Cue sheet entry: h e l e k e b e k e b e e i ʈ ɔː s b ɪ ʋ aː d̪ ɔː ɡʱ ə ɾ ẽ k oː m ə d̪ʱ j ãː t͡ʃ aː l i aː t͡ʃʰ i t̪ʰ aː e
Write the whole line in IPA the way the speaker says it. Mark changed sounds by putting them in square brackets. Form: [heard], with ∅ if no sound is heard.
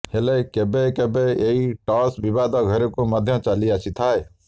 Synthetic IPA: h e l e k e b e k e b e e i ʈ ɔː s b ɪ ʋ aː d̪ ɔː ɡʱ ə ɾ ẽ k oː m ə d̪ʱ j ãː t͡ʃ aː l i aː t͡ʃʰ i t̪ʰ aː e